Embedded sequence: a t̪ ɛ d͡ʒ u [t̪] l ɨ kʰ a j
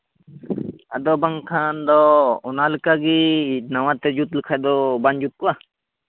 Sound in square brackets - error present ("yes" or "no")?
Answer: no